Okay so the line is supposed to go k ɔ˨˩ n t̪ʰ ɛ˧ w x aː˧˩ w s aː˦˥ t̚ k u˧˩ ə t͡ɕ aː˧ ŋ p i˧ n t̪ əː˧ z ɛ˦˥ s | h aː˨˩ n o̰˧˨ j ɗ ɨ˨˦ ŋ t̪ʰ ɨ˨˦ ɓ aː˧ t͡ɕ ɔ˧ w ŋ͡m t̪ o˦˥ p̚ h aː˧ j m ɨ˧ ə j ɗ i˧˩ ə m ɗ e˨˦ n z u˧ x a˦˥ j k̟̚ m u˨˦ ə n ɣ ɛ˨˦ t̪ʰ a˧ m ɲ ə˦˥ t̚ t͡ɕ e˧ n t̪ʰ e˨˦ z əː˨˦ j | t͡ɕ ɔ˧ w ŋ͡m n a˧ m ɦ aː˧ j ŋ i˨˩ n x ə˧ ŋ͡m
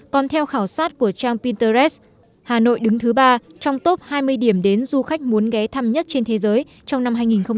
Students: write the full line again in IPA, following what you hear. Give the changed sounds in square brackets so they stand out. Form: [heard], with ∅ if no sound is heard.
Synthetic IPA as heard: k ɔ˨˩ n t̪ʰ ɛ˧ w x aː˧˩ w s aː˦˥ t̚ k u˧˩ ə t͡ɕ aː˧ ŋ p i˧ n t̪ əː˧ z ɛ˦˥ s | h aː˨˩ n o̰˧˨ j ɗ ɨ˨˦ ŋ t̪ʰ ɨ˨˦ ɓ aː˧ t͡ɕ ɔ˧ w ŋ͡m t̪ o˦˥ p̚ h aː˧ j m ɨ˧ ə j ɗ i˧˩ ə m ɗ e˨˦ n z u˧ x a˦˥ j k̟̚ m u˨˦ ə n ɣ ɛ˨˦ t̪ʰ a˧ m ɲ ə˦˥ t̚ t͡ɕ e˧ n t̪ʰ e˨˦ z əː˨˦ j | t͡ɕ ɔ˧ w ŋ͡m n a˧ m ɦ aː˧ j ŋ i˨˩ n x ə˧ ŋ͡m